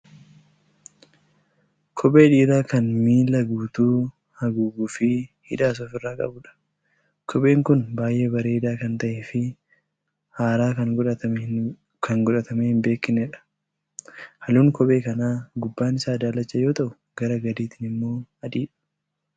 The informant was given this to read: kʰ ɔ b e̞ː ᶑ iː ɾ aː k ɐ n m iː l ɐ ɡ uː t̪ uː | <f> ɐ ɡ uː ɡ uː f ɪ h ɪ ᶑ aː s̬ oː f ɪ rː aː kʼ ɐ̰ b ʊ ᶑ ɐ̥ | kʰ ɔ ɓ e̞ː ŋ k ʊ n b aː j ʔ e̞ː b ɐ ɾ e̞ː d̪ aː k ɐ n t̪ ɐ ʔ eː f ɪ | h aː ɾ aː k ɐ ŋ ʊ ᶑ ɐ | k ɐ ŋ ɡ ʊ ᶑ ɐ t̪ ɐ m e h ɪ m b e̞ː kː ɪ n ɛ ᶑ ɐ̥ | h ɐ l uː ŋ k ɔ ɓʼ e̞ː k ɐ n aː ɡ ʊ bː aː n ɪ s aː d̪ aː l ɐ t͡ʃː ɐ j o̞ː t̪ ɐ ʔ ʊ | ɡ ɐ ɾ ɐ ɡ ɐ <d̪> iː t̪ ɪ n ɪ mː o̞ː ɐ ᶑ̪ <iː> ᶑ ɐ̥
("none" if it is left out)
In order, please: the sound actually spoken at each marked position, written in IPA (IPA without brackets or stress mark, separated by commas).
h, d̪, iː